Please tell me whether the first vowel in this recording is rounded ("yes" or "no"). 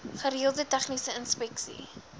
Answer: no